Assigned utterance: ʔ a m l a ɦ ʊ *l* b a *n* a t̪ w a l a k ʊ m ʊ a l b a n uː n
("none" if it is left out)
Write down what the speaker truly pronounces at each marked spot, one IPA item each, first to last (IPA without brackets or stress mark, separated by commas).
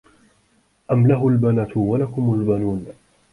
l, n